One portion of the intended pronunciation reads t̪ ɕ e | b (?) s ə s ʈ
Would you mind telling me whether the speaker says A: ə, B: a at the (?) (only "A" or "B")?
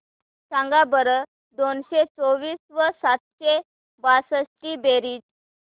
B